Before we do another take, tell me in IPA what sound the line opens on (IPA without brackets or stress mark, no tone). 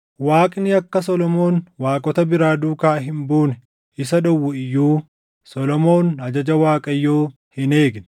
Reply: w